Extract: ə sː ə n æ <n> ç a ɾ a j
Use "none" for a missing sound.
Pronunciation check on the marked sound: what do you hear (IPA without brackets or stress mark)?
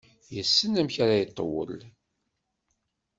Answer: m